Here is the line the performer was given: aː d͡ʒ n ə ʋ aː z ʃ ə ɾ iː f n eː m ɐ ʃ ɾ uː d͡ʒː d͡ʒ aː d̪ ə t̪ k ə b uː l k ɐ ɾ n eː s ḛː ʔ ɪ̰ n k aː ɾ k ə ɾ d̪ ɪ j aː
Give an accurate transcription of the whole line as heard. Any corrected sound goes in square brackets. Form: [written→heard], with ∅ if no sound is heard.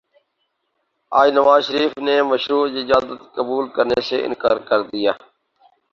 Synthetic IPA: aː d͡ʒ n ə ʋ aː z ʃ ə ɾ iː f n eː m [ɐ→ə] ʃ ɾ uː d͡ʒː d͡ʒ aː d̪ ə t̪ k ə b uː l k [ɐ→ə] ɾ n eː s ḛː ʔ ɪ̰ n k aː ɾ k ə ɾ d̪ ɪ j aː